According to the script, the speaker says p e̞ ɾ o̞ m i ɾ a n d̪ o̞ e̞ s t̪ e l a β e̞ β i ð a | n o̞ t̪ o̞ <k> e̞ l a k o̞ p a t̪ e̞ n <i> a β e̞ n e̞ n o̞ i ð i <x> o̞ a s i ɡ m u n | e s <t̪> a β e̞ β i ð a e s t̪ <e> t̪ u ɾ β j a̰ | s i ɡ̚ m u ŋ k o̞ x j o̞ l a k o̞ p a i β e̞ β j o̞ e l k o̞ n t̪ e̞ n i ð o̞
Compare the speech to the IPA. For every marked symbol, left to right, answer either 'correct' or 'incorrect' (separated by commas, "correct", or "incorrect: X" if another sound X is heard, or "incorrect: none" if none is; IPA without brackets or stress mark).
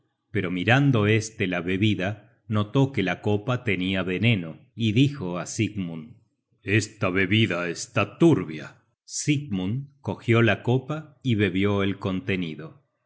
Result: correct, correct, correct, correct, incorrect: a